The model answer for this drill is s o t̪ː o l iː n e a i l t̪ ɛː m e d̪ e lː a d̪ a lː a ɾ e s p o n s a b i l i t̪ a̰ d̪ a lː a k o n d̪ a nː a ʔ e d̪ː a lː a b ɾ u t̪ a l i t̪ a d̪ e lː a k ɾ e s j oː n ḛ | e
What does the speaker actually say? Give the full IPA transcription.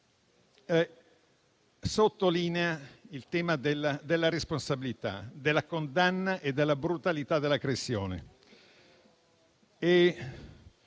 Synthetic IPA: s o t̪ː o l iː n e a i l t̪ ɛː m a d̪ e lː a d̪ e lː a ɾ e s p o n s a b i l i t̪ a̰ d̪ e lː a k o n d̪ a nː a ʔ e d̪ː e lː a b ɾ u t̪ a l i t̪ a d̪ e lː a k ɾ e s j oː n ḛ | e

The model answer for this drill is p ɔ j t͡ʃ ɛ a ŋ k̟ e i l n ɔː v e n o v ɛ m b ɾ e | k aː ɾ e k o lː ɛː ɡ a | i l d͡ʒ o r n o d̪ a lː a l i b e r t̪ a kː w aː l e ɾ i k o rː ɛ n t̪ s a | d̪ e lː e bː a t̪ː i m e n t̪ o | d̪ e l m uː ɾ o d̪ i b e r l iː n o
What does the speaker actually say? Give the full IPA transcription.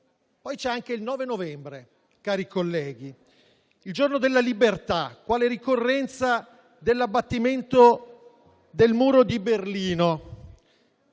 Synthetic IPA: p ɔ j t͡ʃ ɛ a ŋ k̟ e i l n ɔː v e n o v ɛ m b ɾ e | k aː ɾ i k o lː ɛː ɡ i | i l d͡ʒ o r n o d̪ e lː a l i b e r t̪ a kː w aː l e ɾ i k o rː ɛ n t̪ s a | d̪ e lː a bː a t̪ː i m e n t̪ o | d̪ e l m uː ɾ o d̪ i b e r l iː n o

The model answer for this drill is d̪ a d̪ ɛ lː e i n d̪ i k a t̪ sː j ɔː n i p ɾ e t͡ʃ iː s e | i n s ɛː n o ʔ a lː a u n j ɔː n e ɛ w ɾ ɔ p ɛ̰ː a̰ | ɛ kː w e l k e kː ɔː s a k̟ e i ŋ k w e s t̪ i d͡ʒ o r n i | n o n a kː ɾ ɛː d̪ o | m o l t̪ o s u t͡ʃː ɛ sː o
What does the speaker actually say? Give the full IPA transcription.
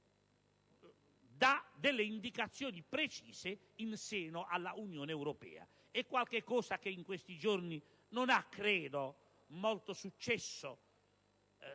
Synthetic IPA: d̪ a d̪ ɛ lː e i n d̪ i k a t̪ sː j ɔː n i p ɾ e t͡ʃ iː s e | i n s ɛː n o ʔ a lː a u n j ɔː n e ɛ w ɾ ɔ p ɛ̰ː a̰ | ɛ kː w a l k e kː ɔː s a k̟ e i ŋ k w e s t̪ i d͡ʒ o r n i | n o n a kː ɾ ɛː d̪ o | m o l t̪ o s u t͡ʃː ɛ sː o

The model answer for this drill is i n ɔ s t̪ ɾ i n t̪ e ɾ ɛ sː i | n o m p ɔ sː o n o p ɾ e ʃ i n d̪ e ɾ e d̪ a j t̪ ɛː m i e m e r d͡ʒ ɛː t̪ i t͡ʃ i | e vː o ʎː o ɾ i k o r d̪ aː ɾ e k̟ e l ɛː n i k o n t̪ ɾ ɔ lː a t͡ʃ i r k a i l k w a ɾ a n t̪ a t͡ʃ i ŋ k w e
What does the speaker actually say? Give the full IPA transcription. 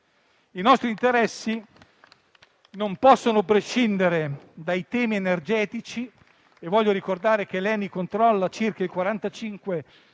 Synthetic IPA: i n ɔ s t̪ ɾ i n t̪ e ɾ ɛ sː i | n o m p ɔ sː o n o p ɾ e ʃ i n d̪ e ɾ e d̪ a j t̪ ɛː m i e n e r d͡ʒ ɛː t̪ i t͡ʃ i | e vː ɔ ʎː o ɾ i k o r d̪ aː ɾ e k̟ e l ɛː n i k o n t̪ ɾ ɔ lː a t͡ʃ i r k a i l k w a ɾ a n t̪ a t͡ʃ i ŋ k w e

